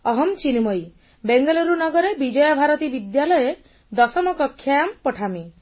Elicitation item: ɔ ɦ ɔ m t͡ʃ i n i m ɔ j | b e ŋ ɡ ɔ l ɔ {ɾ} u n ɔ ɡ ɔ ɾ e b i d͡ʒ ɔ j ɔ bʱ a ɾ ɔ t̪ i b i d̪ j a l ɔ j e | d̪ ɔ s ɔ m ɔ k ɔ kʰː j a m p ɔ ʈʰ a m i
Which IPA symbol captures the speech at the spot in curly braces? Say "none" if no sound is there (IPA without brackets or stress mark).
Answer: ɾ